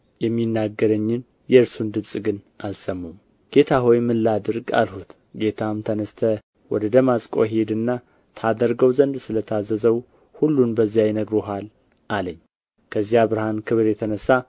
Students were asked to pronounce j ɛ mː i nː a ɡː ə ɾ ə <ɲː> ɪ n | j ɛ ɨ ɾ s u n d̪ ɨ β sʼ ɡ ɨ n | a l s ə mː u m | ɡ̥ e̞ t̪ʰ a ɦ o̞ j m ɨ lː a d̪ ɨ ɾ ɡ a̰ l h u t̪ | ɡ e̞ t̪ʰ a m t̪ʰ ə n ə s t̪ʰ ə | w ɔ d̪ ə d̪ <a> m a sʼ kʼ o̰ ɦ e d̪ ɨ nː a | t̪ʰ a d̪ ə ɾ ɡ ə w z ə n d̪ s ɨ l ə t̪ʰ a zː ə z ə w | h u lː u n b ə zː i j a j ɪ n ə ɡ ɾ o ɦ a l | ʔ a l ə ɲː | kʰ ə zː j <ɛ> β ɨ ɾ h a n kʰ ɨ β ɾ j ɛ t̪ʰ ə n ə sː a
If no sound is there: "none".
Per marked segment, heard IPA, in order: ɲː, ə, a

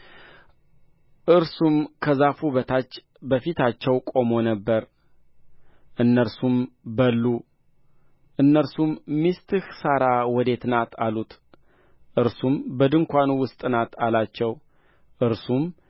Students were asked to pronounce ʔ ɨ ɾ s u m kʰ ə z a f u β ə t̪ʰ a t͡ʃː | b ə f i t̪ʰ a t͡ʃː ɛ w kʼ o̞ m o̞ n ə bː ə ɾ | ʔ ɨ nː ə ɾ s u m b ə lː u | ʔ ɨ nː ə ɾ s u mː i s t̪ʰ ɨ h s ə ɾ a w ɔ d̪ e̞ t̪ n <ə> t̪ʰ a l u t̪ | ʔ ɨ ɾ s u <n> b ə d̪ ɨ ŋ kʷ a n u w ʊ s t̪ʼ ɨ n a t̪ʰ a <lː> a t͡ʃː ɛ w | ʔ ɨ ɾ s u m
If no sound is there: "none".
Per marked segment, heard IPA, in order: a, m, l

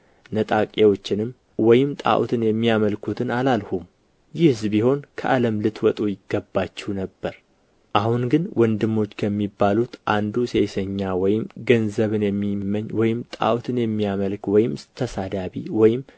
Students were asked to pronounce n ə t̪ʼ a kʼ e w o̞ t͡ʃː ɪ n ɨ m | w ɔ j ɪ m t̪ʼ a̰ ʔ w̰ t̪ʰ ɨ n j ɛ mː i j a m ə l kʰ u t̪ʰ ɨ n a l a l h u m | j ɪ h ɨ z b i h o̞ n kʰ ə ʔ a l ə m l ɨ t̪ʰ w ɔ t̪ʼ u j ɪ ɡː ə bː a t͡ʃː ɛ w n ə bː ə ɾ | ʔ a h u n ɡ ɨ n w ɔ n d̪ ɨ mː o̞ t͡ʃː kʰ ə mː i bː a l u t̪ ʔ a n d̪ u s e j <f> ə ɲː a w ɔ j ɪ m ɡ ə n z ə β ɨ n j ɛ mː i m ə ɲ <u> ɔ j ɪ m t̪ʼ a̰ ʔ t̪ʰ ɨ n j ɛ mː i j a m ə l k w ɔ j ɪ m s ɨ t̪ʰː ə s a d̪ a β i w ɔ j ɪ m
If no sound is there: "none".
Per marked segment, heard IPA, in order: s, w

